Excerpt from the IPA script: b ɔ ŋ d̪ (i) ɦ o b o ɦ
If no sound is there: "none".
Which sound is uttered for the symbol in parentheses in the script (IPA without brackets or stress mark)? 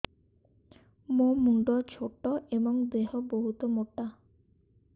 e